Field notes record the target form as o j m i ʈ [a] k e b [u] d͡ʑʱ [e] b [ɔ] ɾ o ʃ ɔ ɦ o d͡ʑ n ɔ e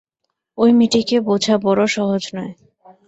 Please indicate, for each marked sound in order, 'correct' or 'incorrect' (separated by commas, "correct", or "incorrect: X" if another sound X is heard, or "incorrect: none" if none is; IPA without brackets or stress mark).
incorrect: i, incorrect: o, incorrect: a, correct